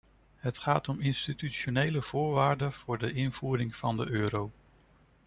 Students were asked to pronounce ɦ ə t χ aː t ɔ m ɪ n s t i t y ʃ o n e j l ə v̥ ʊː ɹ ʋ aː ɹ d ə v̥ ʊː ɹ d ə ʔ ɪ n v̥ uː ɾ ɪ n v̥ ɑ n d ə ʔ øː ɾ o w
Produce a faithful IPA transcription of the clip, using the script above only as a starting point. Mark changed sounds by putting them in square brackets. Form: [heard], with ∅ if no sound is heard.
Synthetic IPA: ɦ ə t χ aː t ɔ m ɪ n s t i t y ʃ o n e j l ə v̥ ʊː ɹ ʋ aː ɹ d ə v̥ ʊː ɹ d ə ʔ ɪ n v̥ uː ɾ ɪ [ŋ] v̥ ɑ n d ə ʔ øː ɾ o w